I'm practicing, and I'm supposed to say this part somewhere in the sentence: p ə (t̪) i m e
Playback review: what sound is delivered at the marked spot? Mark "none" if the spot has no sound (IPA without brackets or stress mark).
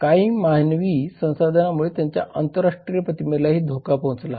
t̪